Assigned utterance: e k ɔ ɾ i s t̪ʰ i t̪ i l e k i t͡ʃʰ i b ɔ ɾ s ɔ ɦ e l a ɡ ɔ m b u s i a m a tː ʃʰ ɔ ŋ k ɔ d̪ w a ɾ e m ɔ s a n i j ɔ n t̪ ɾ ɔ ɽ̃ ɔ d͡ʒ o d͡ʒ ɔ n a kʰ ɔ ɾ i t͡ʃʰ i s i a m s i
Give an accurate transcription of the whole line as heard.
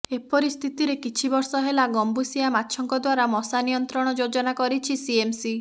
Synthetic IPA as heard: e p ɔ ɾ i s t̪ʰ i t̪ i ɾ e k i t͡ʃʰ i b ɔ ɾ s ɔ ɦ e l a ɡ ɔ m b u s i a m a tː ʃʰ ɔ ŋ k ɔ d̪ w a ɾ a m ɔ s a n i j ɔ n t̪ ɾ ɔ ɽ̃ ɔ d͡ʒ o d͡ʒ ɔ n a k ɔ ɾ i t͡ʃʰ i s i e m s i

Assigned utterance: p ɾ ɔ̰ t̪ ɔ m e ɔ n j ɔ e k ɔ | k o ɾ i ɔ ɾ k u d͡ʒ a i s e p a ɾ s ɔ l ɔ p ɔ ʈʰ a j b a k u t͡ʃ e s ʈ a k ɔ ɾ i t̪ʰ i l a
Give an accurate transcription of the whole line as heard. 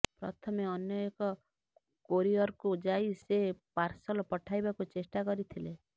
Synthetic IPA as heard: p ɾ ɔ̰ t̪ʰ ɔ m e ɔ n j ɔ e k ɔ | k o ɾ i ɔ ɾ k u d͡ʒ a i s e p a ɾ s ɔ l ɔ p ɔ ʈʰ a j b a k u t͡ʃ e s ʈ a k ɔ ɾ i t̪ʰ i l e

